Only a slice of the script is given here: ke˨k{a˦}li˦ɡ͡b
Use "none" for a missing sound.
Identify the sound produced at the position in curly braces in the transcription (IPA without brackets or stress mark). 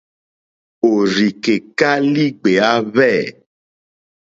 a˦